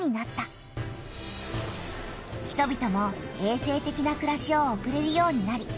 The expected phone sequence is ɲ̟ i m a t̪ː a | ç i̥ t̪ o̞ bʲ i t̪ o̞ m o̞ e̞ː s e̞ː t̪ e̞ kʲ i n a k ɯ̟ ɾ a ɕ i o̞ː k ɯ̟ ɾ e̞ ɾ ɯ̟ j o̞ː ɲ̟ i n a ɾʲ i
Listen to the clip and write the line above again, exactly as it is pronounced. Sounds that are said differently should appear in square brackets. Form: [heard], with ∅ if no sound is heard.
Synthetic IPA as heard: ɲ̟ i [n] a t̪ː a | ç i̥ t̪ o̞ bʲ i t̪ o̞ m o̞ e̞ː s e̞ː t̪ e̞ kʲ i n a k ɯ̟ ɾ a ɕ i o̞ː k ɯ̟ ɾ e̞ ɾ ɯ̟ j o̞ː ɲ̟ i n a ɾʲ i